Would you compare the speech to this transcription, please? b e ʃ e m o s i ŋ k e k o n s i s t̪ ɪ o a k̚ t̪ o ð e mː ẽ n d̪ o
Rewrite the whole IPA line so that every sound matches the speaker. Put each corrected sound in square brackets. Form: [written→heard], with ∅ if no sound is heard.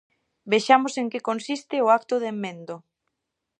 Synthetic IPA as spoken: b e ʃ [e→a] m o s [i→e] ŋ k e k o n s i s t̪ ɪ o a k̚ t̪ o ð e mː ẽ n d̪ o